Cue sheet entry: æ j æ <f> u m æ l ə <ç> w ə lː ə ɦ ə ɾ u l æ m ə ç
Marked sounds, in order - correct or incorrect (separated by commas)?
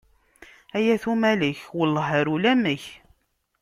incorrect, correct